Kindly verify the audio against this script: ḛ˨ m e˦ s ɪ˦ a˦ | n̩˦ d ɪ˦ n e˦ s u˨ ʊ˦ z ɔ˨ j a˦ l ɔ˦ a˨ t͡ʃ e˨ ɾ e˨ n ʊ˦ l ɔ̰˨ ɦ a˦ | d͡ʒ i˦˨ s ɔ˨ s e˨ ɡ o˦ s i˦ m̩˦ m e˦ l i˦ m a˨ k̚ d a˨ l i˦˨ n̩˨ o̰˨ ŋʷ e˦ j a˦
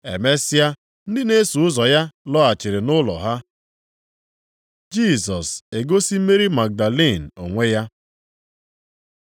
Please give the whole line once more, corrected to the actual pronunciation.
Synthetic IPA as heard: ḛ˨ m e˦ s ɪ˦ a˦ | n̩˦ d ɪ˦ n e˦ s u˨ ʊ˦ z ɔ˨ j a˦ l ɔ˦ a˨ t͡ʃ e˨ ɾ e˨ n ʊ˦ l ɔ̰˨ ɦ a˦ | d͡ʒ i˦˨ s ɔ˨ s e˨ ɡ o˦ s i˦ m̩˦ m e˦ ɾ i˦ m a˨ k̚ d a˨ l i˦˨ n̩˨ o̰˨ ŋʷ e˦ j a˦